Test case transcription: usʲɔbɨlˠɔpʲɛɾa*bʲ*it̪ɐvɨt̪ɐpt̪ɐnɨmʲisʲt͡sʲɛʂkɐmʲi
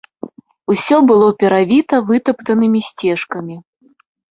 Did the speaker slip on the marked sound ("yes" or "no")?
yes